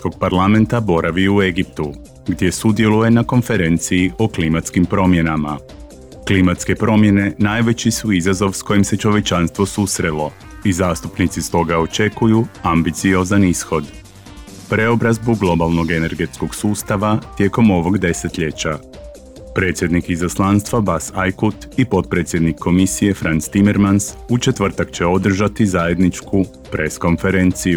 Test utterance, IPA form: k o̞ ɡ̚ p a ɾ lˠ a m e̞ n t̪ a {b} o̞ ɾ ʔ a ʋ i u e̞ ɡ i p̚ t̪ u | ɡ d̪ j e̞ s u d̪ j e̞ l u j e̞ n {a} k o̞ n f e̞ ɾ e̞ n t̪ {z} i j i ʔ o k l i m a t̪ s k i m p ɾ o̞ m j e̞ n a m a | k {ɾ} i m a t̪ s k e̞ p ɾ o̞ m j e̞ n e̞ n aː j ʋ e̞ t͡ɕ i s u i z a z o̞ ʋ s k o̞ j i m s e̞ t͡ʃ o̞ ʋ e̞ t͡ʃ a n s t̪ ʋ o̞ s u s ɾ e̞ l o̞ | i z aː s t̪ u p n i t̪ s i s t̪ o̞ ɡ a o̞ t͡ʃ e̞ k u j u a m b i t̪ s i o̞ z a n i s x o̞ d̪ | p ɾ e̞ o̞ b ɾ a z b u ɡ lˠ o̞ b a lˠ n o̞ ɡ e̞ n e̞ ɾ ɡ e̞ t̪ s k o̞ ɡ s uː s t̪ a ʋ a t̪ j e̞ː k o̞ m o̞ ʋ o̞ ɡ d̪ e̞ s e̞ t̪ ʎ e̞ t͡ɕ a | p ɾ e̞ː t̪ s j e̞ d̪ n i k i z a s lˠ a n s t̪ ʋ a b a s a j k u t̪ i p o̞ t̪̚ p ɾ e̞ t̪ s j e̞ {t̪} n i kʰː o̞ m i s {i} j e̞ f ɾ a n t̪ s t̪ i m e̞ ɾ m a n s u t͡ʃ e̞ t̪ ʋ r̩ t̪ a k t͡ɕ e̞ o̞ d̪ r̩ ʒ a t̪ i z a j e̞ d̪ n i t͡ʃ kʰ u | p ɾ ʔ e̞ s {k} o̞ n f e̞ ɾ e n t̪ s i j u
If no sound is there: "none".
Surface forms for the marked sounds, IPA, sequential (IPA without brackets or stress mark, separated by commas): b, a, s, l, d̪, i, k